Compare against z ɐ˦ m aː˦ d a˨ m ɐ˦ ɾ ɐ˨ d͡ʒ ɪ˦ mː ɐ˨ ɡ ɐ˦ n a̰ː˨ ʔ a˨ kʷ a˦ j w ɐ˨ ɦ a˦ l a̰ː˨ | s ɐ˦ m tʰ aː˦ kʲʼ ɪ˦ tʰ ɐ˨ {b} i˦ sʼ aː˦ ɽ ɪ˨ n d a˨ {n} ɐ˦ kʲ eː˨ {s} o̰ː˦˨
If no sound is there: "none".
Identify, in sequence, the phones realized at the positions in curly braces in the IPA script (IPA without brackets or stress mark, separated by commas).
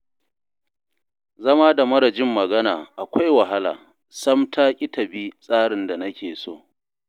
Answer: b, n, s